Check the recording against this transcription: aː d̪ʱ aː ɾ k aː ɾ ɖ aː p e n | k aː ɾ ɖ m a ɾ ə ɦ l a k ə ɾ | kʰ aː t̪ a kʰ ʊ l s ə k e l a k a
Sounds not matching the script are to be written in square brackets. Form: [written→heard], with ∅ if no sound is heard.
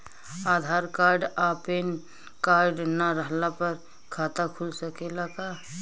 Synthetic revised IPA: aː d̪ʱ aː ɾ k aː ɾ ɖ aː p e n | k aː ɾ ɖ [m→n] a ɾ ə ɦ l a [k→p] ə ɾ | kʰ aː t̪ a kʰ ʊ l s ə k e l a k a